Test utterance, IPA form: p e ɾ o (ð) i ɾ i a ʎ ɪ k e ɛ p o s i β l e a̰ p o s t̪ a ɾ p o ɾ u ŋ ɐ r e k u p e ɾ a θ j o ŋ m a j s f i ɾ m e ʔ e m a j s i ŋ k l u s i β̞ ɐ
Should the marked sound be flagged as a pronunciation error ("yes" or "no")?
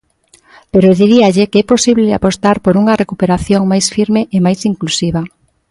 no